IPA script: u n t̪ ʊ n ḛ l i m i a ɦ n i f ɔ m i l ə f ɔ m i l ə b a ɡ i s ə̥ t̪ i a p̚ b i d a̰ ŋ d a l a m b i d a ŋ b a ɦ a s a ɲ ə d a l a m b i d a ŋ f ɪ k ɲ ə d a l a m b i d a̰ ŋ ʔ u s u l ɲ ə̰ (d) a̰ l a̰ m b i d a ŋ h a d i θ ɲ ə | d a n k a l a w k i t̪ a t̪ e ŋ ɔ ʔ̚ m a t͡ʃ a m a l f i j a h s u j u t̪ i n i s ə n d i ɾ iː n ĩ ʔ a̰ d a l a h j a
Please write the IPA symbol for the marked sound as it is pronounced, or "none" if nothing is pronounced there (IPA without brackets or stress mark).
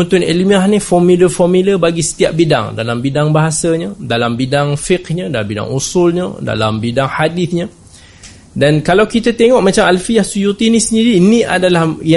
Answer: d